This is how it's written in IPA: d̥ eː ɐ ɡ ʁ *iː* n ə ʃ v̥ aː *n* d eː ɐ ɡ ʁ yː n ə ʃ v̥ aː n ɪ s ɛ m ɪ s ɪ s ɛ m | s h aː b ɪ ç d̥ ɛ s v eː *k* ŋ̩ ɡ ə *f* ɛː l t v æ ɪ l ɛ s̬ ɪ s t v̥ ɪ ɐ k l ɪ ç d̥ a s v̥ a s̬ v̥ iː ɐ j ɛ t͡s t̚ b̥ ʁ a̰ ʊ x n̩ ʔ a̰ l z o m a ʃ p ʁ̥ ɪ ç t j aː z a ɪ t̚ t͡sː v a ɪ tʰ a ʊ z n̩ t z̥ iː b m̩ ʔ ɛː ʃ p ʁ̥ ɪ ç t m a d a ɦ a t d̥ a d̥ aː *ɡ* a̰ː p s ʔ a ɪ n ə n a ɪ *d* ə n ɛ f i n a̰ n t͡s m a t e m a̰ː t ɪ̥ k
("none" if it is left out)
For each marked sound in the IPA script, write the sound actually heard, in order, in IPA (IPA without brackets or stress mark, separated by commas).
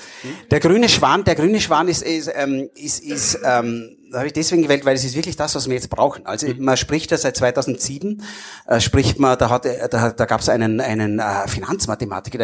yː, n, ɡ, v, ɡ, n